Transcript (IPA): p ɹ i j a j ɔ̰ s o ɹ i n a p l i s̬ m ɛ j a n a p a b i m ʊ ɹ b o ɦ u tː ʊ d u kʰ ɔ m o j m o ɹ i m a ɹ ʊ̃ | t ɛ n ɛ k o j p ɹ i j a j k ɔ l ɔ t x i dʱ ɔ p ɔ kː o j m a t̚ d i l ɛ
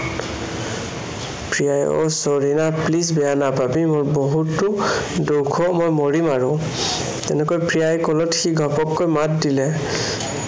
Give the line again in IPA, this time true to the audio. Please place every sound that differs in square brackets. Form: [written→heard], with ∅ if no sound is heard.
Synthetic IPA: p ɹ i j a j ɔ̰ s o ɹ i n a p l i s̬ [m→b] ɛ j a n a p a b i m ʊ ɹ b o ɦ u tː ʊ d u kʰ ɔ m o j m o ɹ i m a ɹ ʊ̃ | t ɛ n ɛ k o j p ɹ i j a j k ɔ l ɔ t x i [dʱ→ɡʱ] ɔ p ɔ kː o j m a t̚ d i l ɛ